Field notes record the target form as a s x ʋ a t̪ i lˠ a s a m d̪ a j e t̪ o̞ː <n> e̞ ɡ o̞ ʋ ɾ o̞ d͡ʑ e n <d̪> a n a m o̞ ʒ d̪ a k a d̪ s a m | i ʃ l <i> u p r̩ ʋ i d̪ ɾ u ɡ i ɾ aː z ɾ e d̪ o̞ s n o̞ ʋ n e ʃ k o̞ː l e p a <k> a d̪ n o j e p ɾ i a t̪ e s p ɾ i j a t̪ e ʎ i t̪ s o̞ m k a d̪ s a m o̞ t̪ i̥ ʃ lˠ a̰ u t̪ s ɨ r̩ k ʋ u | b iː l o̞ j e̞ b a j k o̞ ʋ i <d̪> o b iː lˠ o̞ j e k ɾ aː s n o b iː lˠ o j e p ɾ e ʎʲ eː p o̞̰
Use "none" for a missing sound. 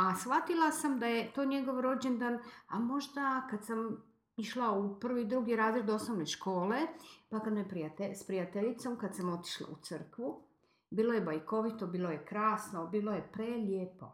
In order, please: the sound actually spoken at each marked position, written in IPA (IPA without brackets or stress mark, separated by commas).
ɲ, d̪, a, k, t̪